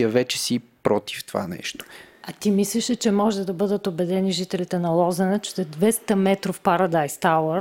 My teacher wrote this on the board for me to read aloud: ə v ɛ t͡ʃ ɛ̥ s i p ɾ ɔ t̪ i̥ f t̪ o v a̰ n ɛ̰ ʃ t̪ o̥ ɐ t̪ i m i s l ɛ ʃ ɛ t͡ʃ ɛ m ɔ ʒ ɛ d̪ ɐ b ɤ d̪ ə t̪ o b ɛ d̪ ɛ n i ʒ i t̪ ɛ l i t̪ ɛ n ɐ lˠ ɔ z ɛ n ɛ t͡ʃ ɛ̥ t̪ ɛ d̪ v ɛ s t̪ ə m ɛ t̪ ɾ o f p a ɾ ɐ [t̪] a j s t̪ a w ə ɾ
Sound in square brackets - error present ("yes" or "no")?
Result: yes